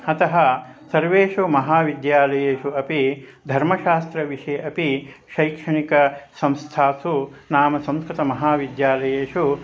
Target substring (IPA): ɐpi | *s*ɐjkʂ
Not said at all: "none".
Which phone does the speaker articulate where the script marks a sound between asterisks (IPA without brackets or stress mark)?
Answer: ʃ